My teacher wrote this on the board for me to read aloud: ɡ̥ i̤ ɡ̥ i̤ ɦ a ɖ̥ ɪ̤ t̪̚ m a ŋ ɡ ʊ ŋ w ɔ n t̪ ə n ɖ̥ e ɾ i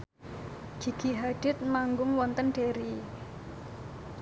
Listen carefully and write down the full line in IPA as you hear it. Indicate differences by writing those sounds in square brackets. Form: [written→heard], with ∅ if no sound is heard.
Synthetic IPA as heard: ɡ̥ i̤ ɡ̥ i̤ ɦ a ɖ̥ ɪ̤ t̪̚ m a ŋ ɡ ʊ ŋ w ɔ n t̪ ə n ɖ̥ e ɾ i